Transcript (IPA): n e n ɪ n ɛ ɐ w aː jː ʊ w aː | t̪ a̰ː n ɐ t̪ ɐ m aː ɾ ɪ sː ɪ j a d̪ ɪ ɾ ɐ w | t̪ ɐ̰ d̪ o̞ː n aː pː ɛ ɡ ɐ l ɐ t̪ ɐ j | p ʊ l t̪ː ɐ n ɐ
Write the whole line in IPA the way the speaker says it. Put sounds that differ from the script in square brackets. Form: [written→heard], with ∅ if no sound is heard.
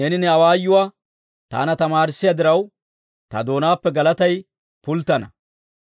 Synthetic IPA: n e n ɪ n ɛ ɐ w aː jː ʊ w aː | t̪ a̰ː n ɐ t̪ ɐ m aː ɾ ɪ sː ɪ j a d̪ ɪ ɾ ɐ w | t̪ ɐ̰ d̪ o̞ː n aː pː ɛ ɡ ɐ l ɐ t̪ ɐ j | p ʊ l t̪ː ɐ n ɐ